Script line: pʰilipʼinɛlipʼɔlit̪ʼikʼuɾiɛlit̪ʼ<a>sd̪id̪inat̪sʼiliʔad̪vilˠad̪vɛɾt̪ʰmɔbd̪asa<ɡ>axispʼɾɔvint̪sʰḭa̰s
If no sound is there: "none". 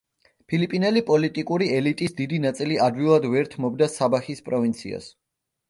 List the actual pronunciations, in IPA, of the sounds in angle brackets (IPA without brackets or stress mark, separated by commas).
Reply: i, b